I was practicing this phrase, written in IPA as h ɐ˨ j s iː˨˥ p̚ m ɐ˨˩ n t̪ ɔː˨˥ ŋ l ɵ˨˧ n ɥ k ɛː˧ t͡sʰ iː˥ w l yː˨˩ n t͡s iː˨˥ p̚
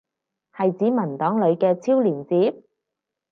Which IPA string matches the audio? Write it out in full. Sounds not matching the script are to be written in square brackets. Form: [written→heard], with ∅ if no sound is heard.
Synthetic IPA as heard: h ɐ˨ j [s→t͡s] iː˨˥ [p̚→∅] m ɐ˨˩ n t̪ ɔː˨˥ ŋ l ɵ˨˧ [n→∅] ɥ k ɛː˧ t͡sʰ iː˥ w l [yː˨˩→iː˨˩] n t͡s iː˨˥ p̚